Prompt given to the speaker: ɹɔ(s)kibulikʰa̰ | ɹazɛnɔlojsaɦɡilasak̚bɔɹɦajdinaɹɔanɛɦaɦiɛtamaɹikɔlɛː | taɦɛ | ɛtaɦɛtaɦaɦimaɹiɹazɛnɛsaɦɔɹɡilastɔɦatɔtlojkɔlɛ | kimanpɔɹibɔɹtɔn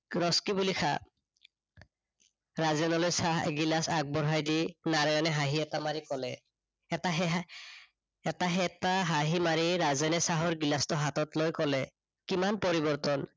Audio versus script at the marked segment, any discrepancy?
no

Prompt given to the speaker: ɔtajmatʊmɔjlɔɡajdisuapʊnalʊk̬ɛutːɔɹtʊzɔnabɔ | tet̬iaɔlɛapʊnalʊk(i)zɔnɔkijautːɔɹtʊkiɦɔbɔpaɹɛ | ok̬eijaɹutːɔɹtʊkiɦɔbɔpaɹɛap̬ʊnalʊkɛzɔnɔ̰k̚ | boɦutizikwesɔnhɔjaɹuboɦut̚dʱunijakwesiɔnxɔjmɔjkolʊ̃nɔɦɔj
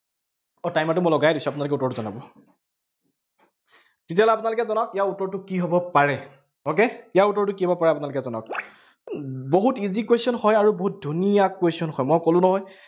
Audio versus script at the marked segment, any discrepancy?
yes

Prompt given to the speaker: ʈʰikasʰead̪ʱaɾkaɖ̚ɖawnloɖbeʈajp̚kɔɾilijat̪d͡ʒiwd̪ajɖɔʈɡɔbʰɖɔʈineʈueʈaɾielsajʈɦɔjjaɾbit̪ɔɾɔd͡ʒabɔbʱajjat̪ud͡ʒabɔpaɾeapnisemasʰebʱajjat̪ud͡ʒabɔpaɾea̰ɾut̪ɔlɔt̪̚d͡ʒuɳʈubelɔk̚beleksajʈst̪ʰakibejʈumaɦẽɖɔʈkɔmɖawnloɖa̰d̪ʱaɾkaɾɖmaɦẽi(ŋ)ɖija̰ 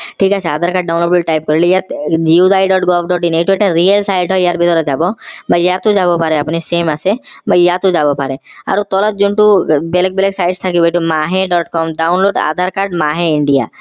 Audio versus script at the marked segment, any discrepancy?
yes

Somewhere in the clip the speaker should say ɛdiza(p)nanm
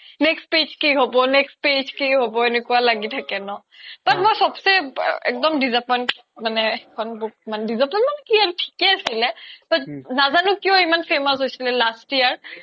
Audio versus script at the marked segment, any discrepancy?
no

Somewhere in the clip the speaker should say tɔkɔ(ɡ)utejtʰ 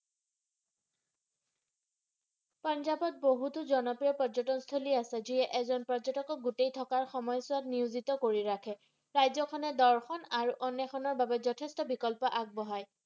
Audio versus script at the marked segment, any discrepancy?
no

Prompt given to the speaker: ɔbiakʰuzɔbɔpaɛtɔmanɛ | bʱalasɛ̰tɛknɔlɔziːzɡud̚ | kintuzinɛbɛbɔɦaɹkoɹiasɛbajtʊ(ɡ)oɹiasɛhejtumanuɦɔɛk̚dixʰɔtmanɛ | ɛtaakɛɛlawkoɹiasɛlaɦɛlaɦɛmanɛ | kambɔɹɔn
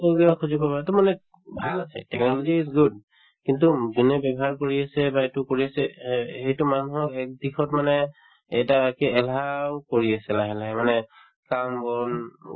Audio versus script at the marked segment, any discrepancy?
yes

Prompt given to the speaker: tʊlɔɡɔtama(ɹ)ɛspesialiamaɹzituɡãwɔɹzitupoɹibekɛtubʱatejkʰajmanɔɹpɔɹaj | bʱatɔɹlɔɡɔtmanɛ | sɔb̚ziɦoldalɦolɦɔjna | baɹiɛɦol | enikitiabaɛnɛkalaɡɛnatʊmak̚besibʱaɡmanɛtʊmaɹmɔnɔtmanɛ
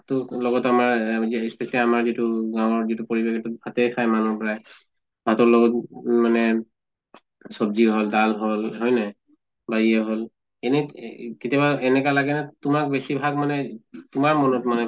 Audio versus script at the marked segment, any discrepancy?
no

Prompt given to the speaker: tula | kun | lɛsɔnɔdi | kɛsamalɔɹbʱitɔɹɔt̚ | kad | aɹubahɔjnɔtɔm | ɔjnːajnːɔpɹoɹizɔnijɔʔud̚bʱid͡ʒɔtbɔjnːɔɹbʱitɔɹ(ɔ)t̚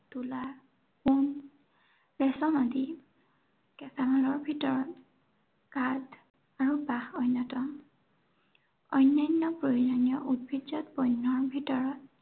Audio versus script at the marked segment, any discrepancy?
no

